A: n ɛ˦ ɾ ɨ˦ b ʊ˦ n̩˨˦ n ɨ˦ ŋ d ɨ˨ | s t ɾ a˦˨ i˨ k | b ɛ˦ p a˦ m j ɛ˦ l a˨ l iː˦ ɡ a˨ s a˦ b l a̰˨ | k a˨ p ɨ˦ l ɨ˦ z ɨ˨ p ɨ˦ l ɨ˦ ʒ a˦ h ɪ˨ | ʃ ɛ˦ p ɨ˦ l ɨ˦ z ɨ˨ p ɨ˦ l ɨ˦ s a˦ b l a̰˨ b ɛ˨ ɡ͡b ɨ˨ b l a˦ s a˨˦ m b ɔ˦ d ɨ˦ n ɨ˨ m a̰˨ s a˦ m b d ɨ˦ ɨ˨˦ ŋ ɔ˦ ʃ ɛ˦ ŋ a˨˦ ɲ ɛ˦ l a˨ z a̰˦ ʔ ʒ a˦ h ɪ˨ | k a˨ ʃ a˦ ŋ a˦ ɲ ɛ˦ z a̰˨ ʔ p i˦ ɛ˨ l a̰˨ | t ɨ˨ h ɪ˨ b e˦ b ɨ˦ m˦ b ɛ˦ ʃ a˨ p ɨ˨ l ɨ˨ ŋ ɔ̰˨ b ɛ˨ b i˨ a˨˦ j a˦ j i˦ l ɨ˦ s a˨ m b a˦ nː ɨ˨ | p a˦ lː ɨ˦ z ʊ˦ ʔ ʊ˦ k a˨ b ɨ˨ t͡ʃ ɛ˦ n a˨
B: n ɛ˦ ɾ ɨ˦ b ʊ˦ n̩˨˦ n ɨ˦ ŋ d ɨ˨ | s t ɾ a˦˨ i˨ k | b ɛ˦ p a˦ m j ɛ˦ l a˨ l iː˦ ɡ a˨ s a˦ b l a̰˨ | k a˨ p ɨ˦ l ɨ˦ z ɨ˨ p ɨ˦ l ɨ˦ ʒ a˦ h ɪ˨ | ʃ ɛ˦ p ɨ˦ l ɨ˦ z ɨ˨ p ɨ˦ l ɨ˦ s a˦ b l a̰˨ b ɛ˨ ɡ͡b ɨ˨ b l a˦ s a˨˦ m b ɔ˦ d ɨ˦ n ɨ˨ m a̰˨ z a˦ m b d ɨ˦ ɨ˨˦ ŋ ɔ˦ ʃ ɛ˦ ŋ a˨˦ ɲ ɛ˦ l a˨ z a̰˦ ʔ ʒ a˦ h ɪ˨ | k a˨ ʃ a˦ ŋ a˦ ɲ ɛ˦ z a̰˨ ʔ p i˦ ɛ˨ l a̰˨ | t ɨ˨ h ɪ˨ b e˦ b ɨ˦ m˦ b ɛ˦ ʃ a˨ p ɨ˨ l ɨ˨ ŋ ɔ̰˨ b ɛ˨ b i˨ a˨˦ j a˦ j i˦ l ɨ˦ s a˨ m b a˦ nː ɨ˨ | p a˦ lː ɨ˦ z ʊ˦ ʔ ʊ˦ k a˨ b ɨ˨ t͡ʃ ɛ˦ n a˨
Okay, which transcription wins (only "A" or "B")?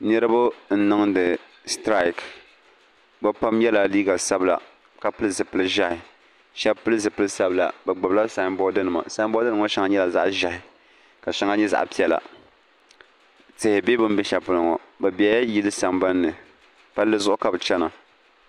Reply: A